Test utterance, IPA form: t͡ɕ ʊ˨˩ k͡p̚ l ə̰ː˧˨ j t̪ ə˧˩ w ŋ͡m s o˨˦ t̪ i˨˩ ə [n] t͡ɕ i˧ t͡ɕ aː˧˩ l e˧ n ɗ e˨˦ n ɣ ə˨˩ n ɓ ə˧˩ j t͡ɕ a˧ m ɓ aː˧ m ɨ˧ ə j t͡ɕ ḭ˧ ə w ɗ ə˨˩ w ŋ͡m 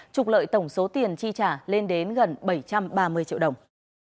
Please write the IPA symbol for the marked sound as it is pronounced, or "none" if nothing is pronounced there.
n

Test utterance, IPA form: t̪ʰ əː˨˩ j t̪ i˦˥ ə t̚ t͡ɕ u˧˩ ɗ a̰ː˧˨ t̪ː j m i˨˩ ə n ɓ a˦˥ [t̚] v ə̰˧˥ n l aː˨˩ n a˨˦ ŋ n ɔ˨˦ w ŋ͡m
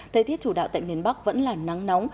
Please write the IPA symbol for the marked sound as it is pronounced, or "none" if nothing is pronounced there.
k̚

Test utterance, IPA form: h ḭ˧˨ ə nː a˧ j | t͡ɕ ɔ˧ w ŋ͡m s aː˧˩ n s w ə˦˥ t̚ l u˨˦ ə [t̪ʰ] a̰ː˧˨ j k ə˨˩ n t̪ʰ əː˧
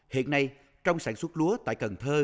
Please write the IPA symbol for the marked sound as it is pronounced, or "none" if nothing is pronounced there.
t̪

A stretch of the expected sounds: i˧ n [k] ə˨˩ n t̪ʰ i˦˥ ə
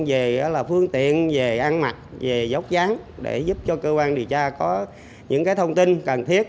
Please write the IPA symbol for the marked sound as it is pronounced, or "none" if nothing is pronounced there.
k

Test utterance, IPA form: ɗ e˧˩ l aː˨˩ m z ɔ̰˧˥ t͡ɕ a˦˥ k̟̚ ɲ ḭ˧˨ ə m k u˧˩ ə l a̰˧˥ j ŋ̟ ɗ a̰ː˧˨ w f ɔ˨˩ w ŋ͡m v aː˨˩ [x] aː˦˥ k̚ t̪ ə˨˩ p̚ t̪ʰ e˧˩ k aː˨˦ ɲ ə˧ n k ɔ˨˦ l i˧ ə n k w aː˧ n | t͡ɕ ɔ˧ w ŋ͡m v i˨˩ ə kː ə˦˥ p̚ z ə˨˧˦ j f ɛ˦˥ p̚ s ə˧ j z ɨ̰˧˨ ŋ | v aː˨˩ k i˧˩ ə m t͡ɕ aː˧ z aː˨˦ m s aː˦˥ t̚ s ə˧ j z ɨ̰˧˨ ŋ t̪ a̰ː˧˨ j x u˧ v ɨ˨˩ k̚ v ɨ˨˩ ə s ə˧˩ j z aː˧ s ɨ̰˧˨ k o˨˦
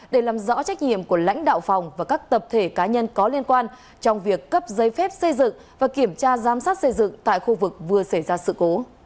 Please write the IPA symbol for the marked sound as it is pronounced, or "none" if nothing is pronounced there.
k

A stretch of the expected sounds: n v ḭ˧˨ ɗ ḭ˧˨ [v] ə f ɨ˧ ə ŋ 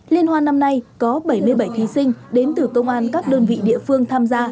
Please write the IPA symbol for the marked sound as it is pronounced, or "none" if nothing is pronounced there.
none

